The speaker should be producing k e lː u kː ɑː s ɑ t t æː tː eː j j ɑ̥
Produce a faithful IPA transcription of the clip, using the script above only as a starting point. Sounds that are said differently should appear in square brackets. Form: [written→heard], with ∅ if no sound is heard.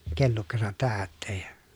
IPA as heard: k e lː u kː [ɑː→ɑ] s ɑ t t æː tː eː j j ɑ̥